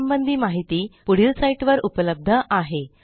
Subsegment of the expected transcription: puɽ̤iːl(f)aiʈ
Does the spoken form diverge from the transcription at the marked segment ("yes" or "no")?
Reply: yes